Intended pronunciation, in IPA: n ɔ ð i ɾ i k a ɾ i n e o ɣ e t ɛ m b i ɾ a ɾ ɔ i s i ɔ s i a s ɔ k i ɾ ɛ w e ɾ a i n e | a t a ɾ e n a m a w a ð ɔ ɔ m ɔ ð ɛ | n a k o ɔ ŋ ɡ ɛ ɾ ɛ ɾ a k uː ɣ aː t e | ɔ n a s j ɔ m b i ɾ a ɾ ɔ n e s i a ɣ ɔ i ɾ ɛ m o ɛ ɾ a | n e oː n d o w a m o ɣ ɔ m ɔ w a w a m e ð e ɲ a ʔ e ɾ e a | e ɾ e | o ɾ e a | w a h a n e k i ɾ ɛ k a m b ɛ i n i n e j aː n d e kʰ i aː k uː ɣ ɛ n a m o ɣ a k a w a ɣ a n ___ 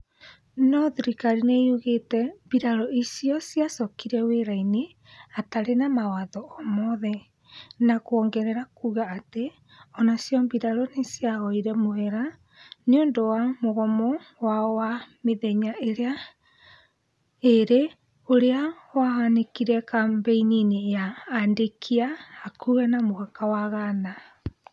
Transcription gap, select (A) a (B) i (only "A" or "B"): A